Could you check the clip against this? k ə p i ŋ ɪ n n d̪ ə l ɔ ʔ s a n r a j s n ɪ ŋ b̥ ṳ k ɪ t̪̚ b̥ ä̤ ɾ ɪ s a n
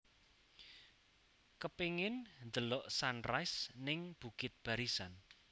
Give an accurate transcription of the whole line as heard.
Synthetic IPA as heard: k ə p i ŋ ɪ n n d̪ ə l ɔ ʔ s a n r a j s n ɪ ŋ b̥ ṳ k ɪ t̪̚ b̥ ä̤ ɾ i s a n